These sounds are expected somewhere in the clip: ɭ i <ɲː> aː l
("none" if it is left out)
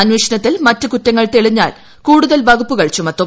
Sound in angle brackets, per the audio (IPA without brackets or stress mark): ɲː